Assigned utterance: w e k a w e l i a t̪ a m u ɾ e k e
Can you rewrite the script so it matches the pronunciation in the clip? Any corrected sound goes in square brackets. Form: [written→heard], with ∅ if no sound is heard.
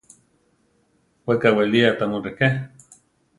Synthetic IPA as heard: w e k a w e l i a t̪ a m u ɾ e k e